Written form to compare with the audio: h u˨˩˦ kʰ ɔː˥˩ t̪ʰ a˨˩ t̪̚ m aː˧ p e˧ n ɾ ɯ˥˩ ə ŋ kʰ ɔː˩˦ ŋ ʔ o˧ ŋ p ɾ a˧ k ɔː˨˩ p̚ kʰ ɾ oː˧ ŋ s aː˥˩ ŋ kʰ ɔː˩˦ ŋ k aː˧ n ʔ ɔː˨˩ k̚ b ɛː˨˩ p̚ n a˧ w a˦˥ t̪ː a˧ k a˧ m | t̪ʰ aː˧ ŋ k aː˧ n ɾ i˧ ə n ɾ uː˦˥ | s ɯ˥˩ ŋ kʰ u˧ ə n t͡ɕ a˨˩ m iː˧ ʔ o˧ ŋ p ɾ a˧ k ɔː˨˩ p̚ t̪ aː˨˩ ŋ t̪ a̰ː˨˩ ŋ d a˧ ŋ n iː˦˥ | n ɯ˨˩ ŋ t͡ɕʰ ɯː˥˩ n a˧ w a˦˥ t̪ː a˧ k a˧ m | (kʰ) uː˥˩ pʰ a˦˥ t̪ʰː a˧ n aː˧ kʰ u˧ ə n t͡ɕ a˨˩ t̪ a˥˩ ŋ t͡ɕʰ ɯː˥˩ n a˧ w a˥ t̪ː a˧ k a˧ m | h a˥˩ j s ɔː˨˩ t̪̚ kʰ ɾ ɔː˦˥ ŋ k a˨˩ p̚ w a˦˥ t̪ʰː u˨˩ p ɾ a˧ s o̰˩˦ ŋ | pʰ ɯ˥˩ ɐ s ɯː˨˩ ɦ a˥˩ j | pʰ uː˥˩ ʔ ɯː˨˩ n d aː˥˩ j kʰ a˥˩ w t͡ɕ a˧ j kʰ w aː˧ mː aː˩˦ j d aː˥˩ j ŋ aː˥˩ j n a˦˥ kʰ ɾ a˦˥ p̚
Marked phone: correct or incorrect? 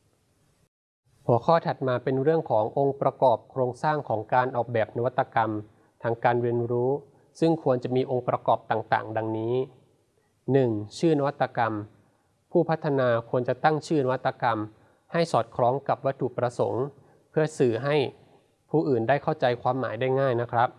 incorrect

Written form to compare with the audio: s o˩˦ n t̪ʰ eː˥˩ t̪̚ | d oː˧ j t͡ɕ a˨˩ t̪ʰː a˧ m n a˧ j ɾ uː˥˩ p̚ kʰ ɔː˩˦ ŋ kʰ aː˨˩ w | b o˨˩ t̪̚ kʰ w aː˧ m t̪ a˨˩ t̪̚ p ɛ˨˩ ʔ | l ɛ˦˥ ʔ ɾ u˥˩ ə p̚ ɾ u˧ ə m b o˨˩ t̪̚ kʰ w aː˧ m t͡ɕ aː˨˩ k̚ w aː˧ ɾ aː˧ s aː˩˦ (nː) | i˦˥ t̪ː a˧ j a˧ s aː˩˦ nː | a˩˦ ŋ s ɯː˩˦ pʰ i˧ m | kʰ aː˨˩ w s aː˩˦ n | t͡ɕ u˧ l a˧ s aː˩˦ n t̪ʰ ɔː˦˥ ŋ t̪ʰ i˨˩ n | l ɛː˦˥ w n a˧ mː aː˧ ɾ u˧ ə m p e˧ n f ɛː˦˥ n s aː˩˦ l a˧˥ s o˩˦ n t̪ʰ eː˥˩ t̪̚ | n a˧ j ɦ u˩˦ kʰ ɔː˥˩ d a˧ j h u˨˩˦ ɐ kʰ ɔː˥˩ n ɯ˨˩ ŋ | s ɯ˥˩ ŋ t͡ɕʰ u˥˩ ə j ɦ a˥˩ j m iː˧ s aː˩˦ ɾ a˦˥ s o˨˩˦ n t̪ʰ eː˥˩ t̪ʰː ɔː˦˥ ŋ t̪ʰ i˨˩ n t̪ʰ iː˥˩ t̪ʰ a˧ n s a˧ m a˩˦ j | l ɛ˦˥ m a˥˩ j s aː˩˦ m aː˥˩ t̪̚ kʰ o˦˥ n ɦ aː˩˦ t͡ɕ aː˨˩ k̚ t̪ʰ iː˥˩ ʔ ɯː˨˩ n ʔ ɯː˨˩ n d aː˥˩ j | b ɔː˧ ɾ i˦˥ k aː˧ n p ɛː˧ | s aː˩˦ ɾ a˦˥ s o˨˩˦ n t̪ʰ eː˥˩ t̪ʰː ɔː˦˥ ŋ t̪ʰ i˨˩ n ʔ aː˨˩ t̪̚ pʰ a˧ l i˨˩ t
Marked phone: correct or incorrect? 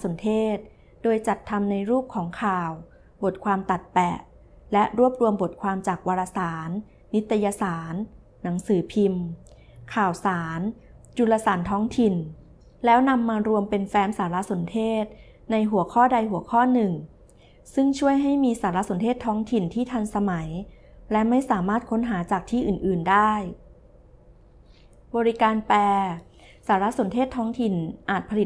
correct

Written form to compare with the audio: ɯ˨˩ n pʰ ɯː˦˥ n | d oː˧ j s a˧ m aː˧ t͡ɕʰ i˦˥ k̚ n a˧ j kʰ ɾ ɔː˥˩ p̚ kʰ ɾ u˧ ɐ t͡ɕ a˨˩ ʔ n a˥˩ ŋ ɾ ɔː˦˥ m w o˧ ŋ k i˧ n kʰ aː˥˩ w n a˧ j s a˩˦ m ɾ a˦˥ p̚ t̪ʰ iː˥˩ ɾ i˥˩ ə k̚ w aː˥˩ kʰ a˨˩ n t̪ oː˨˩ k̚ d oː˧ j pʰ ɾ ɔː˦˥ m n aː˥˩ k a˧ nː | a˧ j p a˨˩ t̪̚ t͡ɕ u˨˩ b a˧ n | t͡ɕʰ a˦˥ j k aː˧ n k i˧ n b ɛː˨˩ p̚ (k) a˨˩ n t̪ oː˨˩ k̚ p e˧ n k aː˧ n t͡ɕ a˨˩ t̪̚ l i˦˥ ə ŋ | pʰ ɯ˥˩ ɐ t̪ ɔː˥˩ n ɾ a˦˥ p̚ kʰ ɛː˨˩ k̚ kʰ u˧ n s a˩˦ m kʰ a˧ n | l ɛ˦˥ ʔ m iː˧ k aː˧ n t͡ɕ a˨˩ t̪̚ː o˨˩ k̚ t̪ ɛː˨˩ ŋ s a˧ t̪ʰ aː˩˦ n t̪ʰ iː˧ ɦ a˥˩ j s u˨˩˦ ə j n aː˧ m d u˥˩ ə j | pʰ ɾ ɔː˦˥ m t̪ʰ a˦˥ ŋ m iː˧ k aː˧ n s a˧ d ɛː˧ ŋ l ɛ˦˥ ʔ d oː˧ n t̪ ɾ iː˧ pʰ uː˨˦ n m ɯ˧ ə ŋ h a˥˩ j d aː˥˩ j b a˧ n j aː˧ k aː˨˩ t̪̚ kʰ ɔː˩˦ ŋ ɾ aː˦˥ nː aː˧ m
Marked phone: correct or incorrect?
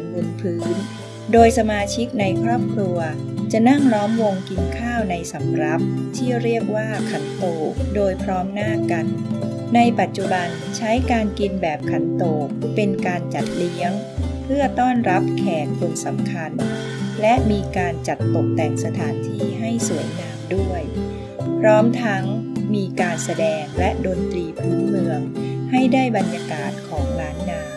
incorrect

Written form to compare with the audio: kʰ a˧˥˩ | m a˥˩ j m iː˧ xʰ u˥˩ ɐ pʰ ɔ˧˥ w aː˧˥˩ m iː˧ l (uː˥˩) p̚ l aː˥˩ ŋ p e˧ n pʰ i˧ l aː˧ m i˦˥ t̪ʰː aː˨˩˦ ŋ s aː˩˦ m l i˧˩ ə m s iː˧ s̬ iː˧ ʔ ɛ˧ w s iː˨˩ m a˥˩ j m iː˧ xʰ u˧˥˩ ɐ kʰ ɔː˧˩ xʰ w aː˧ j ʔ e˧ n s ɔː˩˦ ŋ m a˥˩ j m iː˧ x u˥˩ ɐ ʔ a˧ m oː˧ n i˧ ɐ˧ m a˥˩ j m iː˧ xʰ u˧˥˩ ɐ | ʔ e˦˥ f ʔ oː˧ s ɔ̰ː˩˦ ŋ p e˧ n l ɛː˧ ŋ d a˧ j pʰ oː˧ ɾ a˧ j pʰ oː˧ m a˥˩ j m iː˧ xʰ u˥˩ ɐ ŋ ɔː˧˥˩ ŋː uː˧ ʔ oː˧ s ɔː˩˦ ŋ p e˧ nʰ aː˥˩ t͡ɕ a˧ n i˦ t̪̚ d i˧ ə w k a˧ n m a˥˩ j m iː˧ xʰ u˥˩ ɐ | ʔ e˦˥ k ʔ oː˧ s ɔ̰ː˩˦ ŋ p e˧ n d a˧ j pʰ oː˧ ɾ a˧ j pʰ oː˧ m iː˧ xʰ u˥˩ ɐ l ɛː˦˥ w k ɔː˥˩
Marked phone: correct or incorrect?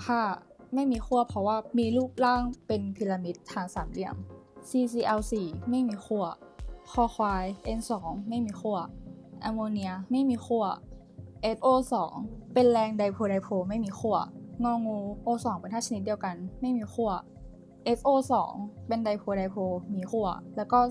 correct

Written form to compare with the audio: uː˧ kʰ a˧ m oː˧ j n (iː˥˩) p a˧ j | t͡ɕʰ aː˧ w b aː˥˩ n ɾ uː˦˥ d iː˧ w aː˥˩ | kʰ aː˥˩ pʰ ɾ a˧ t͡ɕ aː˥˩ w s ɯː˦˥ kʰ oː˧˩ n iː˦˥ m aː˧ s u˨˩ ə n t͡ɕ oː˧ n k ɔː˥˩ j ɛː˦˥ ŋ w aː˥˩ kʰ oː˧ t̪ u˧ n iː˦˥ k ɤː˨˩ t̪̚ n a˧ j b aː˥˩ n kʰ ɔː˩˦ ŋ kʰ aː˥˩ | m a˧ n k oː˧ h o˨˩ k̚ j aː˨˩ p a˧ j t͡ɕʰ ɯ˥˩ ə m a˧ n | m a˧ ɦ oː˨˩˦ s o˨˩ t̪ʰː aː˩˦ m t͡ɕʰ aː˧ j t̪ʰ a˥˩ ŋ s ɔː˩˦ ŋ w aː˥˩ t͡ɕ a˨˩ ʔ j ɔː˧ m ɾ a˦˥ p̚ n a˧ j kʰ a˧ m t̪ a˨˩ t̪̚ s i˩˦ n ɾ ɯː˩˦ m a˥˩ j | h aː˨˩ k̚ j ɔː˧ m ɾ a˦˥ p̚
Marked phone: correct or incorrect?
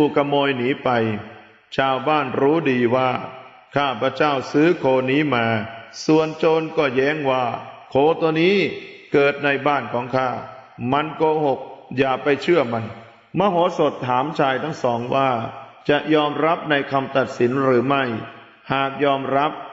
incorrect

